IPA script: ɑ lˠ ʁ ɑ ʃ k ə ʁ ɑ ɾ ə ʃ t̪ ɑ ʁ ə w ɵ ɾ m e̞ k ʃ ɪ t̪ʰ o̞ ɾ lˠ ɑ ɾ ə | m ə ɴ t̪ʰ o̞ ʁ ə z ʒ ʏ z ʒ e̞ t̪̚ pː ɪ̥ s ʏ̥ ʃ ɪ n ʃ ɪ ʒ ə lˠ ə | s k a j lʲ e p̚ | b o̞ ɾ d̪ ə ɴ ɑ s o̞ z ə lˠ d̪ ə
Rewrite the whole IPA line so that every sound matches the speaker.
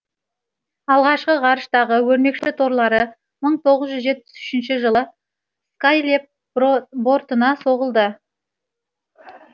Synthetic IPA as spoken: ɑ lˠ ʁ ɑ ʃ q ə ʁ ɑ ɾ ə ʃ t̪ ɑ ʁ ə w ɵ ɾ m e̞ k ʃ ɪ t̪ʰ o̞ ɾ lˠ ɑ ɾ ə | m ə ɴ t̪ʰ o̞ ʁ ə z ʒ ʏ z ʒ e̞ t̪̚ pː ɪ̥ s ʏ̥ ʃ ɪ n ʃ ɪ ʒ ə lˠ ə | s k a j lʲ e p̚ | b o̞ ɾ t̪ ə n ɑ s o̞ ʁ ə lˠ d̪ ə